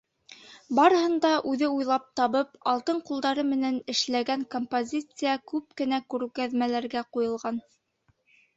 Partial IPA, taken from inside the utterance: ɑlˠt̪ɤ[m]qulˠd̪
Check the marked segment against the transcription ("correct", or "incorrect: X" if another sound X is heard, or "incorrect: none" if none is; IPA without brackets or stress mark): incorrect: ɴ